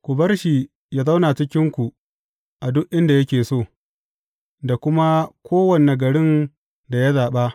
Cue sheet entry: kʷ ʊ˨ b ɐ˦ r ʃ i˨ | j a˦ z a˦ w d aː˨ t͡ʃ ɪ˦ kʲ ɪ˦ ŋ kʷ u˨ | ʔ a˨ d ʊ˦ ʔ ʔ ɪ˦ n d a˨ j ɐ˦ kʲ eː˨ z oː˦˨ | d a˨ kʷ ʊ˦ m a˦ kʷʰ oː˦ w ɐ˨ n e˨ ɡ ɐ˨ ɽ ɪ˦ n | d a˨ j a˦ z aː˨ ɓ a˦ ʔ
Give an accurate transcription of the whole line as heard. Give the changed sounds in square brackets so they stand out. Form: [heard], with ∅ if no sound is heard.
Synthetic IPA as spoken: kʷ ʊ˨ b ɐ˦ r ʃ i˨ | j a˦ z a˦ w [n] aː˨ t͡ʃ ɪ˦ kʲ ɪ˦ ŋ kʷ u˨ | ʔ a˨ d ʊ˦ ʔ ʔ ɪ˦ n d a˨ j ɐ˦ kʲ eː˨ [s] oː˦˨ | d a˨ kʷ ʊ˦ m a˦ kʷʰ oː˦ w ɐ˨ n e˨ ɡ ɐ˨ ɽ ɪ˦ n | d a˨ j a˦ z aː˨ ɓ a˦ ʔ